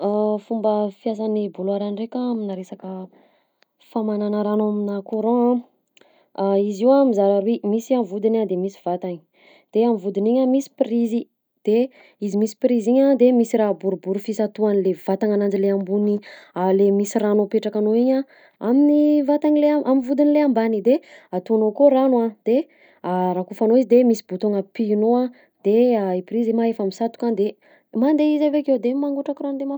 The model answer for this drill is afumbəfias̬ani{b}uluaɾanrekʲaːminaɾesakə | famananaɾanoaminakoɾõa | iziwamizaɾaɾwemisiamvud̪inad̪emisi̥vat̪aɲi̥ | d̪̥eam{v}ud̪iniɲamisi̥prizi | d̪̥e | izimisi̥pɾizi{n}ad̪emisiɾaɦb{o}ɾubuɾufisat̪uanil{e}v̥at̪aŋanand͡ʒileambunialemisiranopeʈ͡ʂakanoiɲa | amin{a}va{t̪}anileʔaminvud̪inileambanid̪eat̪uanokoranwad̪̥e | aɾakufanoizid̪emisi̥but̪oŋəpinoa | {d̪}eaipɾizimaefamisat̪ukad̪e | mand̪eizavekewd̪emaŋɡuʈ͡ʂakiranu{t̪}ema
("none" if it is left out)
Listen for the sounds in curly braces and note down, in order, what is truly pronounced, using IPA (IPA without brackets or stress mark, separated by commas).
b, v, ɲ, u, e, i, t̪, d̪, d̪